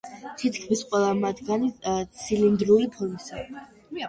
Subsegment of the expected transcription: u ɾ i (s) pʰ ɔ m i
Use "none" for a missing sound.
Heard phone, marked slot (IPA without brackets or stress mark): none